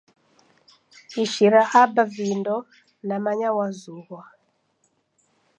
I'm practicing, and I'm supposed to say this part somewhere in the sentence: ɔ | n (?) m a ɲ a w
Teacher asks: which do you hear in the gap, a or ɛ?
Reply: a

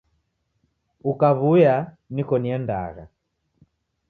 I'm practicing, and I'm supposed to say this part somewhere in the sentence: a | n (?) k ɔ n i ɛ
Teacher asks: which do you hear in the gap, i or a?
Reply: i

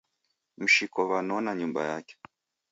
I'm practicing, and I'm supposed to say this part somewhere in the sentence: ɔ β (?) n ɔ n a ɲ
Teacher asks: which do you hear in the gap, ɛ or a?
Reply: a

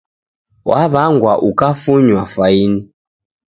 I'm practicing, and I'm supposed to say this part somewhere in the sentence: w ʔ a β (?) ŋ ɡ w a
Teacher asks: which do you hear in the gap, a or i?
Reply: a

